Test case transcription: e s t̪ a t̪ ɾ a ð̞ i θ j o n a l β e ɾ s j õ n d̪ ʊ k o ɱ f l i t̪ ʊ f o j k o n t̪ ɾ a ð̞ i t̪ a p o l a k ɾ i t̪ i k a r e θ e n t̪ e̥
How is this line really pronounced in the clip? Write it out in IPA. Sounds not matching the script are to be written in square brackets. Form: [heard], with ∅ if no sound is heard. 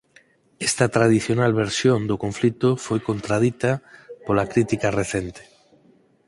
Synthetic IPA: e s t̪ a t̪ ɾ a ð̞ i θ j o n a l β e ɾ s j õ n d̪ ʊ k o ɱ f l i t̪ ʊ f o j k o n t̪ ɾ a ð̞ i t̪ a p o l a k ɾ i t̪ i k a r e θ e n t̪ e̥